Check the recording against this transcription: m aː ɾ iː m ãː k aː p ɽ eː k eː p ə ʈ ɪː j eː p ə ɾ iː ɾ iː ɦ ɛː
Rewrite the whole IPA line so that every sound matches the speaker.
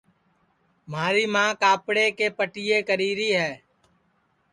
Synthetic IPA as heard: m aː ɾ iː m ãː k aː p ɽ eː k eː p ə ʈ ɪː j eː k ə ɾ iː ɾ iː ɦ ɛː